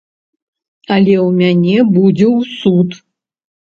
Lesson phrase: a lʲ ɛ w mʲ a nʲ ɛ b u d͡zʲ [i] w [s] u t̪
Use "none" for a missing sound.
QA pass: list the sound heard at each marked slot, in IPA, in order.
ɛ, s

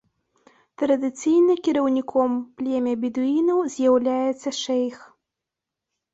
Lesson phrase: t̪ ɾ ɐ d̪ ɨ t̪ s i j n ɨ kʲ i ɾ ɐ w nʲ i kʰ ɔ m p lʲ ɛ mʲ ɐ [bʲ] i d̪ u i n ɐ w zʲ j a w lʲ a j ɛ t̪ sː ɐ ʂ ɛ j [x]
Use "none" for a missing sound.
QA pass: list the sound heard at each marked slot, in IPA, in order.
bʲ, x

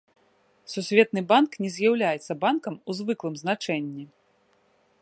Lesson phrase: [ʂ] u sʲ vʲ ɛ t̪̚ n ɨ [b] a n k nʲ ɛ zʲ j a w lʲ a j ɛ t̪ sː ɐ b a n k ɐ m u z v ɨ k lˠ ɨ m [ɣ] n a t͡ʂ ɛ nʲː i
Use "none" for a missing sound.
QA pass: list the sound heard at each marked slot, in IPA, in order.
s, b, z

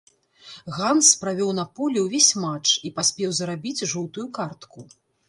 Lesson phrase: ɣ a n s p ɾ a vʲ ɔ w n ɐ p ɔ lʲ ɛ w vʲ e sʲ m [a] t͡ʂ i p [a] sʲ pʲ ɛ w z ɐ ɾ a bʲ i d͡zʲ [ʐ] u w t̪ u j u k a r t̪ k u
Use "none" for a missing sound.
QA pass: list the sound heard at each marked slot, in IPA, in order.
a, a, ʐ

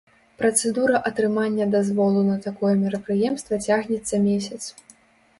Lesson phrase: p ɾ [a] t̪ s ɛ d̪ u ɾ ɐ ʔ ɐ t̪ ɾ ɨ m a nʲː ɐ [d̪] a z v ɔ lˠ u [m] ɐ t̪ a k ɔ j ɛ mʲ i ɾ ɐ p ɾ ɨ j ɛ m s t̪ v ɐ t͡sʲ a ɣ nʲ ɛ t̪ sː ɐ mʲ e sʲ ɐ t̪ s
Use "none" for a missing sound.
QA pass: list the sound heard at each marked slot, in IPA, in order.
ɐ, d̪, n

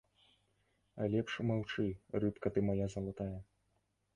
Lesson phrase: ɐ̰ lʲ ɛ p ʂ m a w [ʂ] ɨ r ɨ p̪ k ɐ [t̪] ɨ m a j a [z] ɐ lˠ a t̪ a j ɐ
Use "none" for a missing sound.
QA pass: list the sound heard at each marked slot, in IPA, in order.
t͡ʂ, t̪, z

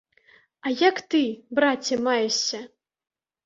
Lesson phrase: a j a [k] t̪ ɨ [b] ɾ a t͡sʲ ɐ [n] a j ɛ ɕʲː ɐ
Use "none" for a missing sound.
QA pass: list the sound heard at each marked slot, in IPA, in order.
k, b, m

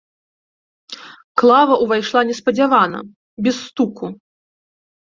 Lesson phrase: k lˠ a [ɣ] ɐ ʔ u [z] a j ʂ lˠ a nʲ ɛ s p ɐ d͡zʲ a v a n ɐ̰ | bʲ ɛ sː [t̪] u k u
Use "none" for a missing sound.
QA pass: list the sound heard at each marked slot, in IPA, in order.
v, v, t̪

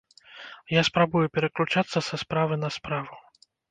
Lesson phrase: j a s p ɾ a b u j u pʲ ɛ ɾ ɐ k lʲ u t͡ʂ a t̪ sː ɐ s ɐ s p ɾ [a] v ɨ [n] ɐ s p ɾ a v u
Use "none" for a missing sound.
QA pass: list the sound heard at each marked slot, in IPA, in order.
a, n

